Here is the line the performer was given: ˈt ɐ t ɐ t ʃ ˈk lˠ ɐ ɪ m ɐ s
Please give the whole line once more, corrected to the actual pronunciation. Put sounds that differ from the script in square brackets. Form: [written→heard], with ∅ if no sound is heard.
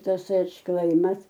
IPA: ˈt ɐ [t→s] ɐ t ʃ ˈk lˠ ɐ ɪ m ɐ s